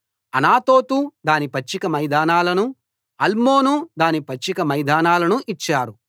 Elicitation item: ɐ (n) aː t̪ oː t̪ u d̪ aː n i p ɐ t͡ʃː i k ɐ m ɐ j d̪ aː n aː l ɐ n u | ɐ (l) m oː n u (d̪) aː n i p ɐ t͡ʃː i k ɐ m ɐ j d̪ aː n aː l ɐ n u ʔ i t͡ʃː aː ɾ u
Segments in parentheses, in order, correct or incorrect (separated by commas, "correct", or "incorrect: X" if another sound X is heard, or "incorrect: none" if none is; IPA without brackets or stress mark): correct, correct, correct